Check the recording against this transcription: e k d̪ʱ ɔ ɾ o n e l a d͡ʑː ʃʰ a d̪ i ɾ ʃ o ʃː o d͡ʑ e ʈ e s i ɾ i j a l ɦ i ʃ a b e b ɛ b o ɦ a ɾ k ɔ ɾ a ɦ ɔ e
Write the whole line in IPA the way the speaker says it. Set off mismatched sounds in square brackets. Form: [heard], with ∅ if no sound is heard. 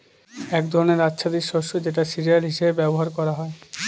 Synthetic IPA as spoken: [ɛ] k d̪ʱ ɔ ɾ o n e [ɾ] a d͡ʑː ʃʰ a d̪ i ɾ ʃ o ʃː o d͡ʑ e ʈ [a] s i ɾ i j a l ɦ i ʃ [e] b e b ɛ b o ɦ a ɾ k ɔ ɾ a ɦ ɔ e